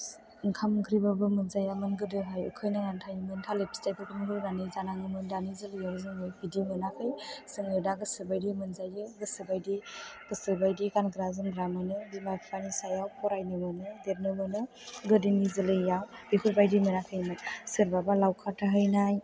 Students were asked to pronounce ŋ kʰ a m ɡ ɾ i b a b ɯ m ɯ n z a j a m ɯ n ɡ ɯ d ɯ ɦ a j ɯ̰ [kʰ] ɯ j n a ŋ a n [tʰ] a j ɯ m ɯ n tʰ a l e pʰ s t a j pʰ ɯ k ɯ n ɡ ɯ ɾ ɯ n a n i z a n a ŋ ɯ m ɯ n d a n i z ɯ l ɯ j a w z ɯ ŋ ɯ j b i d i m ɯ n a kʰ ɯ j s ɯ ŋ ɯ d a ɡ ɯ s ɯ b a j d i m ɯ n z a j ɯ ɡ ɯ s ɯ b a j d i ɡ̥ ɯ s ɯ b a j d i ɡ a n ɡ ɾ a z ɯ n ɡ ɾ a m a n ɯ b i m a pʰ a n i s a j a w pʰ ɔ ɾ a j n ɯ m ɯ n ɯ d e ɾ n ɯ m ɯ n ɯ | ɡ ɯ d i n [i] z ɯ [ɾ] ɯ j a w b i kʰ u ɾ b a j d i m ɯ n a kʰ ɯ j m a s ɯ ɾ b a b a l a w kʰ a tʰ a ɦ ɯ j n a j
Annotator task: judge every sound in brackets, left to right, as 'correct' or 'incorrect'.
correct, correct, correct, incorrect

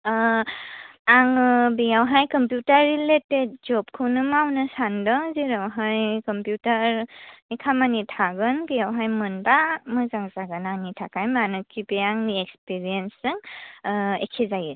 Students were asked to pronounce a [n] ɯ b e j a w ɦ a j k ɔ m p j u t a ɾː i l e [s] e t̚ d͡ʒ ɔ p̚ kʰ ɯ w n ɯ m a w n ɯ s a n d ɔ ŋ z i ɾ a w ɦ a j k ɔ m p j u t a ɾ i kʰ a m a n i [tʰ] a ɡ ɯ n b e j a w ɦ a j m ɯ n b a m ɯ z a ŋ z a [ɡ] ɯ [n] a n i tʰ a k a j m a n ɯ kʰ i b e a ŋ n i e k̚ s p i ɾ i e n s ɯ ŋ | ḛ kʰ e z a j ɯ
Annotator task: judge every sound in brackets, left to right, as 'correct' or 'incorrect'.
incorrect, incorrect, correct, correct, correct

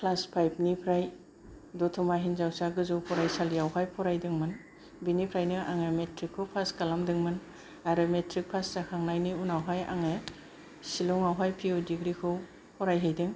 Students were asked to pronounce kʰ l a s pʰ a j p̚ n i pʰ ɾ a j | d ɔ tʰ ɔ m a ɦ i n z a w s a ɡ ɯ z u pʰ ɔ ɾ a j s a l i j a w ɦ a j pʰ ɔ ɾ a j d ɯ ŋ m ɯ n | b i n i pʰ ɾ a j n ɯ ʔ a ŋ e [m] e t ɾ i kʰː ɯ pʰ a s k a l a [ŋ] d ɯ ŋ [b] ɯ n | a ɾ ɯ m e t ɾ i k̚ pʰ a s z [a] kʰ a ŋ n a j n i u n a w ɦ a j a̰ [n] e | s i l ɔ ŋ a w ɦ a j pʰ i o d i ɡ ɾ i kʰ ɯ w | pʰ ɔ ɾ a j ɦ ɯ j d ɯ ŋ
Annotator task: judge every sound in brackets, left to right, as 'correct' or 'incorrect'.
correct, incorrect, incorrect, correct, incorrect

